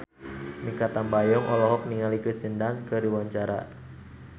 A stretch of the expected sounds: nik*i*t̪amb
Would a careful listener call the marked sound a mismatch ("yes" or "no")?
yes